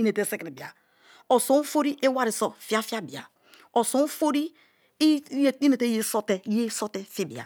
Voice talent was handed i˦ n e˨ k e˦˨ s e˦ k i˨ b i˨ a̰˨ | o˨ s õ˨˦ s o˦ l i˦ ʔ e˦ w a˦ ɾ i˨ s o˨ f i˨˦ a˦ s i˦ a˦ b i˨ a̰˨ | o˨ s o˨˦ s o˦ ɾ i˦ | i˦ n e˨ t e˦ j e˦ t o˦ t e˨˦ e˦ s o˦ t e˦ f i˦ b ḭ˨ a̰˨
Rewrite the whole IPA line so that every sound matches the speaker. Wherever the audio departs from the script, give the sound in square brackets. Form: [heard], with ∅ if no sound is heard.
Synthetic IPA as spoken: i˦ n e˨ [t] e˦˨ s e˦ k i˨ b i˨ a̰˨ | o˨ s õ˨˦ [f] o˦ [ɾ] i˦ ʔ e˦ w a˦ ɾ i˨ s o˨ f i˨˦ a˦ [f] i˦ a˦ b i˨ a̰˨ | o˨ s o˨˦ [f] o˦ ɾ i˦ | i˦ n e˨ t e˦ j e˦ [s] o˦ t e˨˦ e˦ s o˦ t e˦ f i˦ b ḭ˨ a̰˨